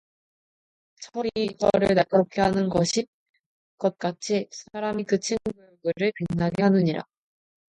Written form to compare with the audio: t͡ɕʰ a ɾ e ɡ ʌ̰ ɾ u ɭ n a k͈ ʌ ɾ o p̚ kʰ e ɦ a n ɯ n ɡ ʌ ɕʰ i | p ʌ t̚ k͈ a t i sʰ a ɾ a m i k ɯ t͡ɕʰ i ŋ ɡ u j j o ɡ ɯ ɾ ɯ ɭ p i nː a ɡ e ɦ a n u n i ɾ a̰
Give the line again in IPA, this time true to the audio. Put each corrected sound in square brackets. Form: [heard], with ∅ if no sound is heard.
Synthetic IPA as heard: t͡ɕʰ [ʌ] ɾ [i] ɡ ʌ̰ ɾ [ɯ] ɭ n a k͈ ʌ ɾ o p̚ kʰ e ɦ a n ɯ n ɡ ʌ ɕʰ i | [k] ʌ t̚ k͈ a [t͡ɕʰ] i sʰ a ɾ a m i k ɯ t͡ɕʰ i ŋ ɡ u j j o ɡ ɯ ɾ ɯ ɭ p i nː a ɡ e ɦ a n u [ɲ] i ɾ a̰